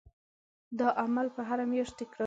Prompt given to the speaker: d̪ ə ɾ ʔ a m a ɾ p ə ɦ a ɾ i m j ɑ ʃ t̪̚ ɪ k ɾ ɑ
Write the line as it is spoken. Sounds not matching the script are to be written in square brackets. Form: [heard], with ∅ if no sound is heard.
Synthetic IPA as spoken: d̪ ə [∅] ʔ a m a [l] p ə ɦ a ɾ [a] m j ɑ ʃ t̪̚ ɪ k ɾ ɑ